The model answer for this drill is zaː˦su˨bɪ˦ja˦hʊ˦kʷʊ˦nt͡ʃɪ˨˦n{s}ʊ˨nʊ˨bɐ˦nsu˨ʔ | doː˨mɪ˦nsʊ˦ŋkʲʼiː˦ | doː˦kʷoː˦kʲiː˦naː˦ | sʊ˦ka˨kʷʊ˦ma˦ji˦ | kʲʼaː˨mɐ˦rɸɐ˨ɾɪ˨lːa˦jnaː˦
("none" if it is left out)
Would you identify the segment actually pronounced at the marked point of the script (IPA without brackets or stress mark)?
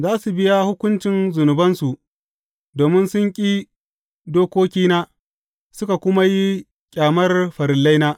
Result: z